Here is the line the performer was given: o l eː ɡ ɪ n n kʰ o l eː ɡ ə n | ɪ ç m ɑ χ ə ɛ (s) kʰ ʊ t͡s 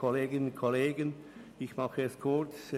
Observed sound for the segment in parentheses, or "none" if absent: s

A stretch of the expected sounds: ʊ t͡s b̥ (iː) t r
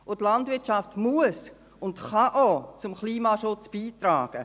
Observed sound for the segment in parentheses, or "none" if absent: iː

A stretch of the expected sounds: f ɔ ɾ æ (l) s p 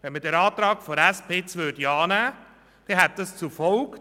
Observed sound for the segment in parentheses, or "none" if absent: none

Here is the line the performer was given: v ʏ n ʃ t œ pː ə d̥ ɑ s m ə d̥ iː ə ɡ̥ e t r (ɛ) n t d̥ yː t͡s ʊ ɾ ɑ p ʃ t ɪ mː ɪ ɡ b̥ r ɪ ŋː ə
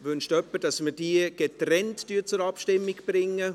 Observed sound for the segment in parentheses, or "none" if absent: ɛ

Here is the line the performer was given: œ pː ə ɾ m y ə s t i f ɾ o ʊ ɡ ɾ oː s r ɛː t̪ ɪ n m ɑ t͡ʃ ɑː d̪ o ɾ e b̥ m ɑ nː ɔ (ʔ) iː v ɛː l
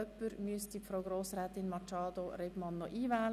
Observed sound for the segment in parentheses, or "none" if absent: ʔ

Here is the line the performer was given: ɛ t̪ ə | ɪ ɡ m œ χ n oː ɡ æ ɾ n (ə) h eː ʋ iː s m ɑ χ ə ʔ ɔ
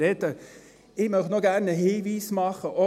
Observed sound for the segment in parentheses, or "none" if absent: ə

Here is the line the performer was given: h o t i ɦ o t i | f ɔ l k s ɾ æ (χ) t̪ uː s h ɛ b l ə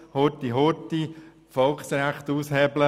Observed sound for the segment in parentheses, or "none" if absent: χ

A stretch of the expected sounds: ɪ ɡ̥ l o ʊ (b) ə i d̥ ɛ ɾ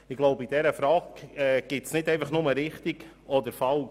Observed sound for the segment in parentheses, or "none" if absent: b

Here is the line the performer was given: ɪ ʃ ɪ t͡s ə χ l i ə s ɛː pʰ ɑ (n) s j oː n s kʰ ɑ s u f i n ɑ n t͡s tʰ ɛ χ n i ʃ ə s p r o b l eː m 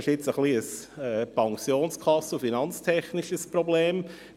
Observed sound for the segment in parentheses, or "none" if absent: ŋ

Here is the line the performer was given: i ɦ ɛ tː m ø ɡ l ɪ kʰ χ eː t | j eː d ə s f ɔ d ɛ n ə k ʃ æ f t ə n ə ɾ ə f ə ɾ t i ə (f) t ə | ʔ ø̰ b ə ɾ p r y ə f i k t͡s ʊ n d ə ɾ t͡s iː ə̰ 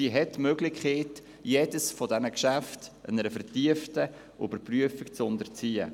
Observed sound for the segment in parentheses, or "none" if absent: f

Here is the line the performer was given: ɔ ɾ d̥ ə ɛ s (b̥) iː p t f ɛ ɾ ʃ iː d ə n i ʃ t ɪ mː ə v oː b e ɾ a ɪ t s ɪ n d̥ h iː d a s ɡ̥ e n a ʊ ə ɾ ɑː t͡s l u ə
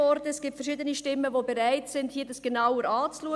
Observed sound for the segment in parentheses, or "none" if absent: ɡ̥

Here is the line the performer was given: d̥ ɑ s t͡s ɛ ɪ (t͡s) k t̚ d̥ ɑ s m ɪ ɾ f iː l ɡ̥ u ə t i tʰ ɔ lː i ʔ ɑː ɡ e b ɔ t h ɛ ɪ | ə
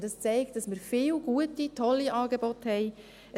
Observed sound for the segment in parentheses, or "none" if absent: none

